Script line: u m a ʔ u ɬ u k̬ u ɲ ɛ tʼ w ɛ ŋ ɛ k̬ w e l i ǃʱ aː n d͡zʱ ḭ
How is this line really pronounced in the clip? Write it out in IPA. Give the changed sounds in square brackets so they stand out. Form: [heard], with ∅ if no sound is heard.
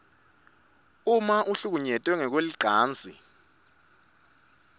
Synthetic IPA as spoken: u m a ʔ u ɬ u k̬ u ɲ ɛ tʼ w ɛ ŋ ɛ k̬ w e l i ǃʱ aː n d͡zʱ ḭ